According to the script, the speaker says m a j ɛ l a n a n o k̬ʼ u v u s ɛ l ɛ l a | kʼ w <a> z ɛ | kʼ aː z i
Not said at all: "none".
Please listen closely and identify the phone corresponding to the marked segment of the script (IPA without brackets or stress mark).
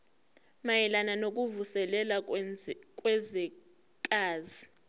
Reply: ɛ